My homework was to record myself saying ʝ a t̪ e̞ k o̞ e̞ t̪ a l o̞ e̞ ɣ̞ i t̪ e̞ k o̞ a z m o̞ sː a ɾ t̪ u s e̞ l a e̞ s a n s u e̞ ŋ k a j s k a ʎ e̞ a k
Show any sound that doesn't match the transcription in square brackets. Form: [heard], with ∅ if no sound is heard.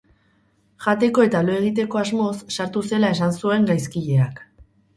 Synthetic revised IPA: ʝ a t̪ e̞ k o̞ e̞ t̪ a l o̞ e̞ ɣ̞ i t̪ e̞ k o̞ a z m o̞ sː a ɾ t̪ u s e̞ l a e̞ s a n s u e̞ ŋ [ɡ] a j s k [i] ʎ e̞ a k